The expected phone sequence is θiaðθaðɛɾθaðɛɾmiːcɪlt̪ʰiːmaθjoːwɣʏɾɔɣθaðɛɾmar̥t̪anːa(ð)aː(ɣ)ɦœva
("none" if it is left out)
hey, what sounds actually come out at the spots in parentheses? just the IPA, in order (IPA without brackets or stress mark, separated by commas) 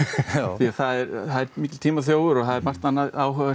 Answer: ð, w